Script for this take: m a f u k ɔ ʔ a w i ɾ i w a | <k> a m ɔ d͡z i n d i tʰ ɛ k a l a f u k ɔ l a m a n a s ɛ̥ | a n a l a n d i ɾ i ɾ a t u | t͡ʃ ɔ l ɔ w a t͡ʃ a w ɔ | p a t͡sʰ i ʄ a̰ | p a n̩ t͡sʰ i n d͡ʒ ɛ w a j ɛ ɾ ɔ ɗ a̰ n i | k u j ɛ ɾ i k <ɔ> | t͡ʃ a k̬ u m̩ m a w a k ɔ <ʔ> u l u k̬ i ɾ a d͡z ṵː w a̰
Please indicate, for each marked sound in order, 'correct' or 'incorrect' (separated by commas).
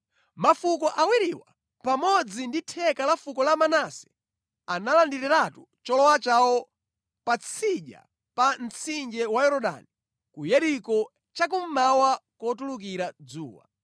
incorrect, correct, incorrect